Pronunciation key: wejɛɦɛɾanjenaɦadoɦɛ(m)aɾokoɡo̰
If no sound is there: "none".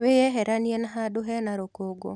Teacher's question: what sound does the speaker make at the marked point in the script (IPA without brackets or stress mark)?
n